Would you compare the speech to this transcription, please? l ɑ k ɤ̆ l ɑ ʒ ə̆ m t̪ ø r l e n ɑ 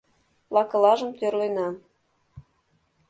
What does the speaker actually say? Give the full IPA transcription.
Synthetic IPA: l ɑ k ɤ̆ l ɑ ʒ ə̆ m t̪ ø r l e n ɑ